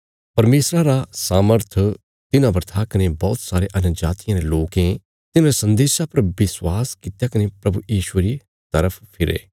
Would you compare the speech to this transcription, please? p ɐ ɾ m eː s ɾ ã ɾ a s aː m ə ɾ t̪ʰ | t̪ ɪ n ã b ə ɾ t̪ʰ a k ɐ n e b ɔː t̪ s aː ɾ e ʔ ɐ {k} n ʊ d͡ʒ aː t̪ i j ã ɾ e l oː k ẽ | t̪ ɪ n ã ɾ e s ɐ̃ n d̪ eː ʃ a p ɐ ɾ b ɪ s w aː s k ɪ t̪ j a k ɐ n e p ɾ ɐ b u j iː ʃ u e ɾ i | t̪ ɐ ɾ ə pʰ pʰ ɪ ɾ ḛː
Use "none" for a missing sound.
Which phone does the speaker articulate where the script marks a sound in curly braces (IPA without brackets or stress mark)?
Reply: none